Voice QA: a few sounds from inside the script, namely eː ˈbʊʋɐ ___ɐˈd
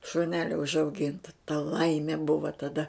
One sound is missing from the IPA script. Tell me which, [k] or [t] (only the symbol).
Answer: t